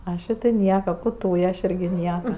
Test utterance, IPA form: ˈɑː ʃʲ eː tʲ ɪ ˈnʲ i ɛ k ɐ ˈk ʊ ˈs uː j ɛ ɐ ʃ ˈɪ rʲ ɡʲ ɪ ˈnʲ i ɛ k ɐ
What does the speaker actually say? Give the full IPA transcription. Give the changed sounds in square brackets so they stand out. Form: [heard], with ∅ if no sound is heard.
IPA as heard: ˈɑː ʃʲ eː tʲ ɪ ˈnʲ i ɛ k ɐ ˈk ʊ [ˈt] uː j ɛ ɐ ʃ ˈɪ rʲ ɡʲ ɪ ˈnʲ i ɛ k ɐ